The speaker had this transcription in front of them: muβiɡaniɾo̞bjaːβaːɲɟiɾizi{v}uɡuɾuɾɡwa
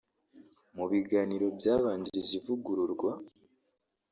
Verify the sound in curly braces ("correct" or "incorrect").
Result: correct